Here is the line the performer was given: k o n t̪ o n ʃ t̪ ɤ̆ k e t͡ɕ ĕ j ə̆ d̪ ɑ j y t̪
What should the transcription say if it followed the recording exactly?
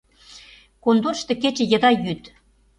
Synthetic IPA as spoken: k o n d̪ o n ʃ t̪ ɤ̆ k e t͡ɕ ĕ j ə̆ d̪ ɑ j y t̪